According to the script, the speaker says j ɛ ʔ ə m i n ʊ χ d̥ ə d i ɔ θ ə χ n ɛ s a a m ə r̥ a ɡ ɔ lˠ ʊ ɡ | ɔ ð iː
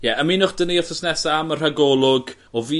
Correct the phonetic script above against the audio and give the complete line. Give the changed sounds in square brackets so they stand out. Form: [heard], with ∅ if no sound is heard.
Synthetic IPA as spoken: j ɛ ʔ ə m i n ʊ χ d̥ ə [n] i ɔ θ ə [s] n ɛ s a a m ə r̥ a ɡ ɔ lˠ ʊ ɡ | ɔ [v] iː

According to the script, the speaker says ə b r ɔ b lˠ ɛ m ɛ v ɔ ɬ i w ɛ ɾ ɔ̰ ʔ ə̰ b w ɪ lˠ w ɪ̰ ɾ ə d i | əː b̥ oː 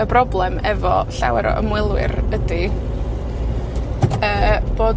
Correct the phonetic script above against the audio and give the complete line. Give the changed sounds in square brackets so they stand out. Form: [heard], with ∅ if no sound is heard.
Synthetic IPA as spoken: ə b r ɔ b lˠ ɛ m ɛ v ɔ ɬ [a] w ɛ ɾ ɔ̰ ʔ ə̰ [m] w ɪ lˠ w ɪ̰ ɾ ə d i | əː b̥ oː

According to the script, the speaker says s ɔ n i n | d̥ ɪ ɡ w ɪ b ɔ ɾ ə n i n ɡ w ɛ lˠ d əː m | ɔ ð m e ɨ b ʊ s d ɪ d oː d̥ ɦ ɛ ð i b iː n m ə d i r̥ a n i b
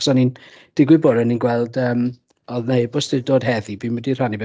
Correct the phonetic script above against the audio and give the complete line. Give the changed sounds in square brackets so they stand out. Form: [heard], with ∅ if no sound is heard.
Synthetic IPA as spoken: s ɔ n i n | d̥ ɪ ɡ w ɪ b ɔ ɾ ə n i n ɡ w ɛ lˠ d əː m | ɔ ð [n] e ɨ b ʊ s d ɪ d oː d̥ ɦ ɛ ð i b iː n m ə d i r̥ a n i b

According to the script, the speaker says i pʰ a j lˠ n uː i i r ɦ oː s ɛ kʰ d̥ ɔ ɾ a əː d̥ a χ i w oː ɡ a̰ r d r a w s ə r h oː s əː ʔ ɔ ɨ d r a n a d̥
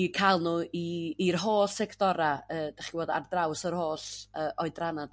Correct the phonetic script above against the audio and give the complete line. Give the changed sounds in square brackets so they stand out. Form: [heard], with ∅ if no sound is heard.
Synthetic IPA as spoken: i [kʰ] a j lˠ n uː i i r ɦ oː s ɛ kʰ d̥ ɔ ɾ a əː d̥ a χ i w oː [d] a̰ r d r a w s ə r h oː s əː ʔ ɔ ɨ d r a n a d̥

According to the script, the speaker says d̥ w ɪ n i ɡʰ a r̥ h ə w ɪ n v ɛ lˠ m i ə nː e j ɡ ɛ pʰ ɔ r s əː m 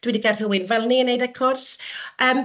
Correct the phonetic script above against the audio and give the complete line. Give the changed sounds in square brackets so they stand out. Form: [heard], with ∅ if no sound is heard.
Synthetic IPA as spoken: d̥ w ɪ [d] i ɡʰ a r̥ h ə w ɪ n v ɛ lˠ [n] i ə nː e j [d] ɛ [kʰ] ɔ r s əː m

